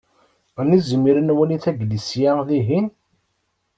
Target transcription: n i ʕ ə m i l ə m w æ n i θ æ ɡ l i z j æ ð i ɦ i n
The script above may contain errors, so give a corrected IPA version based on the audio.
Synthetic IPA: n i z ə m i ɾ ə n w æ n i θ æ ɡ l i s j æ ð i ɦ i n